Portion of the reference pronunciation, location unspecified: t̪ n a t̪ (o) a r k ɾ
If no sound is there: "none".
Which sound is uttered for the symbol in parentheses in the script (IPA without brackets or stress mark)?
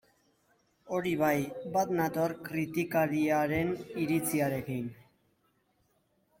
o